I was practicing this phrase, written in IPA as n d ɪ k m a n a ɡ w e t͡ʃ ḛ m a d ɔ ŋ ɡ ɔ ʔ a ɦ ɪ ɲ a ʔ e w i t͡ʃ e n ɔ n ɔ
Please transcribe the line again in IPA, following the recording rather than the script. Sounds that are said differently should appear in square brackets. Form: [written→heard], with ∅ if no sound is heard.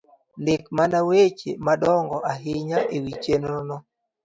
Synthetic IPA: n d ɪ k m a n a [ɡ→∅] w e t͡ʃ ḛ m a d ɔ ŋ ɡ ɔ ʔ a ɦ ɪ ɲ a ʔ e w i t͡ʃ e n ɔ n ɔ